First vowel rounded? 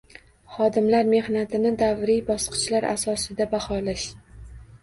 yes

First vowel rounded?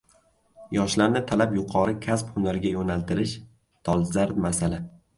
yes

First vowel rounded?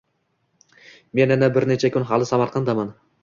no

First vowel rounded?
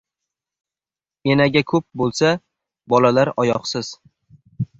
no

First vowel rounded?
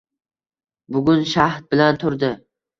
yes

